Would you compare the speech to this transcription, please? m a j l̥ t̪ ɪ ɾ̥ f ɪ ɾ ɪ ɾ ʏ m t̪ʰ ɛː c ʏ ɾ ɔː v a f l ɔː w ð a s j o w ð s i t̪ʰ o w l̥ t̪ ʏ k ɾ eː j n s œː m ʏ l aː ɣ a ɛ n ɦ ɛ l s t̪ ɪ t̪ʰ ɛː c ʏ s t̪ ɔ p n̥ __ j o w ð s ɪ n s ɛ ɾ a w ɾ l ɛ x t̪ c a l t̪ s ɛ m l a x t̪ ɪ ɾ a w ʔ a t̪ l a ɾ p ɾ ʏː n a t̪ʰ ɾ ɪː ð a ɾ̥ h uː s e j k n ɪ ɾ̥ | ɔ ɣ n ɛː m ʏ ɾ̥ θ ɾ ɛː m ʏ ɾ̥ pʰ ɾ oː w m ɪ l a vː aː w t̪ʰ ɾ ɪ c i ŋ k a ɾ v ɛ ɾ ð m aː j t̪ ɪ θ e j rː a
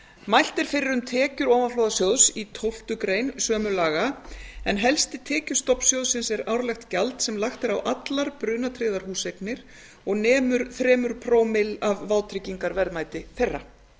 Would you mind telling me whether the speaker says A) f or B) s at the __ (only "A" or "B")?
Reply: B